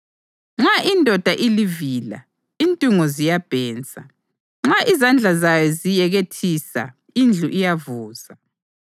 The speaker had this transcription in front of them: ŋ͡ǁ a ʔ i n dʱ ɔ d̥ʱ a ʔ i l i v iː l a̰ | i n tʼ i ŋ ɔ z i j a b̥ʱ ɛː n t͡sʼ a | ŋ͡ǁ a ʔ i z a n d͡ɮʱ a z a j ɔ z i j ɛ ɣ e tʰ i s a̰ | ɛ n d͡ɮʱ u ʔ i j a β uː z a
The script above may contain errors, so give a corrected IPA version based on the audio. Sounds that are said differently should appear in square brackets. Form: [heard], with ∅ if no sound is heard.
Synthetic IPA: ŋ͡ǁ a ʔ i n dʱ ɔ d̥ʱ a ʔ i l i v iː l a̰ | i n tʼ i ŋ ɔ z i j a b̥ʱ ɛː n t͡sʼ a | ŋ͡ǁ a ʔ i z a n d͡ɮʱ a z a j ɔ z i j ɛ ɣ e tʰ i s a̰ | [i] n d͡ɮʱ u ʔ i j a [v] uː z a